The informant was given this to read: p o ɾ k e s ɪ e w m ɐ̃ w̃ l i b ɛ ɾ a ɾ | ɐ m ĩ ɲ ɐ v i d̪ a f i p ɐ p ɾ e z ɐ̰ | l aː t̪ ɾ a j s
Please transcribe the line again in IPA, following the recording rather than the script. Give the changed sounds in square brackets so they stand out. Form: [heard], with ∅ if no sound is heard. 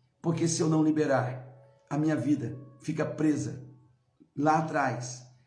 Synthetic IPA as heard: p o ɾ k e s ɪ e w [n] ɐ̃ w̃ l i b [e] ɾ a ɾ | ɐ m ĩ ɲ ɐ v i d̪ [ɐ] f i [k] ɐ p ɾ e z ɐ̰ | l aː t̪ ɾ a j s